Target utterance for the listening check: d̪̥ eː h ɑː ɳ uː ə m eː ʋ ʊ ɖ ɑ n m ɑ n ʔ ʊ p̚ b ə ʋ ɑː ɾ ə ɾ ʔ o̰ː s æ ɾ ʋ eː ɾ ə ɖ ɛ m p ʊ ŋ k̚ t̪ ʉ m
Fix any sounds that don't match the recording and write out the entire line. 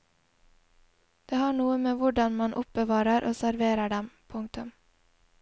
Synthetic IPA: d̪̥ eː h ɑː ɳ uː ə m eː ʋ ʊ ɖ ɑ n m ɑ n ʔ ʊ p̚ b ə ʋ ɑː ɾ ə ɾ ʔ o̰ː s æ ɾ ʋ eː ɾ ə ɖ ɛ m pʰ ʊ ŋ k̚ t̪ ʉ m